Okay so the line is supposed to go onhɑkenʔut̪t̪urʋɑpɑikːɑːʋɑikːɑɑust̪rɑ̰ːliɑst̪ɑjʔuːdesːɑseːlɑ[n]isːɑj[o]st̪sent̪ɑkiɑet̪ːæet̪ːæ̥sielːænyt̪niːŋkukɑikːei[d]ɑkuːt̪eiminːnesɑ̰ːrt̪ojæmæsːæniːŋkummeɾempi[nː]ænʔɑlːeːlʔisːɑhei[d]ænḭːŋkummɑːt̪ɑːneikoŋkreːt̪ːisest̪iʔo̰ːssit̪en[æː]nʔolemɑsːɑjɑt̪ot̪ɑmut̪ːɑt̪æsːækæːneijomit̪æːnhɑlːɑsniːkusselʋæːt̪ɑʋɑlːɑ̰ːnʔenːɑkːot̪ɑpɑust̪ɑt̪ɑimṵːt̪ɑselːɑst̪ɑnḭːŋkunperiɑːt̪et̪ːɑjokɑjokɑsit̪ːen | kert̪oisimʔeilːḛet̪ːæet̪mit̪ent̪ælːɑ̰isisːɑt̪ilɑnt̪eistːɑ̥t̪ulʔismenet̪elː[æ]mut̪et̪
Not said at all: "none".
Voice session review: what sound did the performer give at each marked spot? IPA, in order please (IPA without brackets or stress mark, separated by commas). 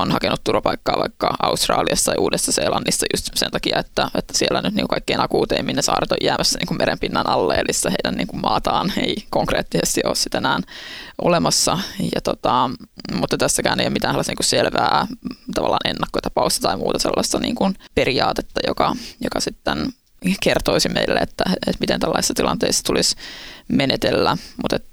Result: nː, u, n, nː, d, æː, æ